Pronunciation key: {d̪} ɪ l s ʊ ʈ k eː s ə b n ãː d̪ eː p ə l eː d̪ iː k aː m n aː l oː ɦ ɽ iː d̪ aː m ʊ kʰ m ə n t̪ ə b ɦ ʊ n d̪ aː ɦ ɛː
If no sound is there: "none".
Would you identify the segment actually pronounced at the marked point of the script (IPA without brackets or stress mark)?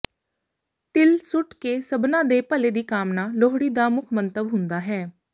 t̪